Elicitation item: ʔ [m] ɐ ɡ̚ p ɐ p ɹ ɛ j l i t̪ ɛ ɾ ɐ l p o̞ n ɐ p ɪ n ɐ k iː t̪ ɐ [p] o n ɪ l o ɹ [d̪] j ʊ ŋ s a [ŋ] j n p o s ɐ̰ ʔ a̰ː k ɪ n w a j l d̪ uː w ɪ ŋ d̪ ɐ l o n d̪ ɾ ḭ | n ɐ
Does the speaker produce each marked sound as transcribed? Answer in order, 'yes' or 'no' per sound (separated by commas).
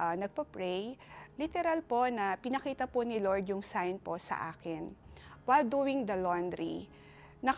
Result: no, yes, yes, no